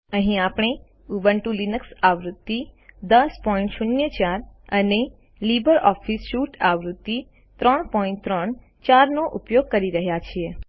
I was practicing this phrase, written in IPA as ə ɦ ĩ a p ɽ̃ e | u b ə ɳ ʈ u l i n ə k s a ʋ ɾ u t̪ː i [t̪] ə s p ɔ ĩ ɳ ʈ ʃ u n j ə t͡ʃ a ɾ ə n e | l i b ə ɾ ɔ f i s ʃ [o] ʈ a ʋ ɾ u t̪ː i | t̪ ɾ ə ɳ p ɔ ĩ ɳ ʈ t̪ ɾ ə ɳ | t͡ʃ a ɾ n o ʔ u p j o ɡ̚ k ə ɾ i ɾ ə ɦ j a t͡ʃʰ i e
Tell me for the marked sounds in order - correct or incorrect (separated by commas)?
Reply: incorrect, incorrect